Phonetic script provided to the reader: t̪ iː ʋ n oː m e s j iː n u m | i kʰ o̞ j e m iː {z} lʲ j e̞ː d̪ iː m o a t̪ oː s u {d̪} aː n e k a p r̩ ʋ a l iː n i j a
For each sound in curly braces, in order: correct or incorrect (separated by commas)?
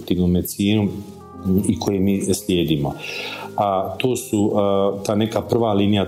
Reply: incorrect, incorrect